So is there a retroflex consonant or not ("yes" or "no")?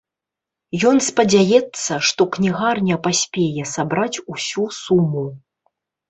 yes